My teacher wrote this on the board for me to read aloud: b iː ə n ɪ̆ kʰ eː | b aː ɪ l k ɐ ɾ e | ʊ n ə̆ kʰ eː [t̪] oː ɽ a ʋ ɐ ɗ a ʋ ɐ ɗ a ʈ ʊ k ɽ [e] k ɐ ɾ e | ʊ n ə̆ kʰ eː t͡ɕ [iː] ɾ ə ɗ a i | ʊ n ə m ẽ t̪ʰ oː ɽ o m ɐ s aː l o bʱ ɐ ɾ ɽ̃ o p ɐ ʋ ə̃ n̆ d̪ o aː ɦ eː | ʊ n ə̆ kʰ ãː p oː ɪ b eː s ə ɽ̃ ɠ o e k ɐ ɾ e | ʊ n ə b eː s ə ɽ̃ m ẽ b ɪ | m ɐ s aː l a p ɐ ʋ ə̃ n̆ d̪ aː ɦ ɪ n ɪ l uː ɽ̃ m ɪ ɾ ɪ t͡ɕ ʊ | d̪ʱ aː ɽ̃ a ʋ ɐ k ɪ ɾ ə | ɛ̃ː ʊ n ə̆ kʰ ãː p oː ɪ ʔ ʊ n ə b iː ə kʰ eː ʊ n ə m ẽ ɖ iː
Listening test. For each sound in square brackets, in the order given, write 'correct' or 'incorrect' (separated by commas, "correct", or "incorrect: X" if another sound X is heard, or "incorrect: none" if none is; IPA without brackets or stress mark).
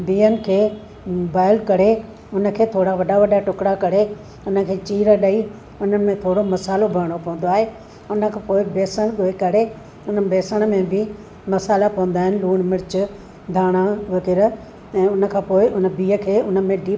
incorrect: t̪ʰ, incorrect: a, correct